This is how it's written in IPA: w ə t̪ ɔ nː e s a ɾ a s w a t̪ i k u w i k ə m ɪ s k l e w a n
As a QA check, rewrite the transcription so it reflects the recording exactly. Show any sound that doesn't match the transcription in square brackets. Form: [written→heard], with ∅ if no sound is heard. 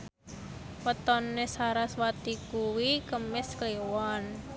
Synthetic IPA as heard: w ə t̪ ɔ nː e s a ɾ a s w a t̪ i k u w i k ə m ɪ s k l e w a n